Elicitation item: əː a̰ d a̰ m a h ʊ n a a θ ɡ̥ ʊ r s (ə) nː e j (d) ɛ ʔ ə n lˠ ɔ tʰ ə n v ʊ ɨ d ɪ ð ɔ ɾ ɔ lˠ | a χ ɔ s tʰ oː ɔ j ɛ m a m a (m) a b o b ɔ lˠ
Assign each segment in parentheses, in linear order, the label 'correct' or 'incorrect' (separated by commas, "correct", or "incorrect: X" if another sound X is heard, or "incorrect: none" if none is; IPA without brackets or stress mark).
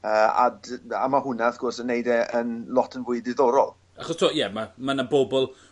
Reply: correct, correct, incorrect: n